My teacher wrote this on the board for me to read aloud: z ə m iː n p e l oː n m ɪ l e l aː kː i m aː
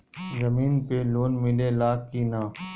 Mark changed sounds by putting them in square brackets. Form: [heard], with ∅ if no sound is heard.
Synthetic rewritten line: z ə m iː n p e l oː n m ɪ l e l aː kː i [n] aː